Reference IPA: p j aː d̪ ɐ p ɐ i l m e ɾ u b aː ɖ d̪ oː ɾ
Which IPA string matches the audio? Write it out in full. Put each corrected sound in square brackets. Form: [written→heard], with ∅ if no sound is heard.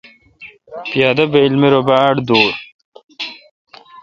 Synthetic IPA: p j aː d̪ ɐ [p→b] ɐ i l m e ɾ [u→o] b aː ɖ d̪ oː ɾ